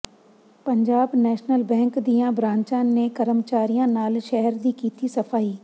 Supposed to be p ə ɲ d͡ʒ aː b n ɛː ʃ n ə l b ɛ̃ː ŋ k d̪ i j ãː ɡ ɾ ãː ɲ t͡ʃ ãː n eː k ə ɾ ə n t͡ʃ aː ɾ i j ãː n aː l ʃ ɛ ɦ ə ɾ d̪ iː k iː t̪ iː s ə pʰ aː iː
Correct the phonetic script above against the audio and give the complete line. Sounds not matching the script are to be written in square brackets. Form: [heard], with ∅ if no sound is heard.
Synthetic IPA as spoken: p ə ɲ d͡ʒ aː b n ɛː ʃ n ə l b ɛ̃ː ŋ k d̪ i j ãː [b] ɾ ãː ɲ t͡ʃ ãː n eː k ə ɾ ə [m] t͡ʃ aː ɾ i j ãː n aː l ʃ ɛ ɦ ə ɾ d̪ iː k iː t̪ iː s ə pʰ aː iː